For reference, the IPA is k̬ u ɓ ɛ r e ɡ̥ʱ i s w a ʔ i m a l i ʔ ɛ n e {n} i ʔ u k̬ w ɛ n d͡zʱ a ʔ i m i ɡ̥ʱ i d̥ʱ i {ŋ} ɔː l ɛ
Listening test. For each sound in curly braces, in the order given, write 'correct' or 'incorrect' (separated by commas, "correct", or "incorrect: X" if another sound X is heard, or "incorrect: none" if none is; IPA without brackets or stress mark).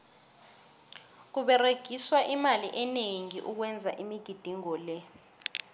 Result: incorrect: ŋ, correct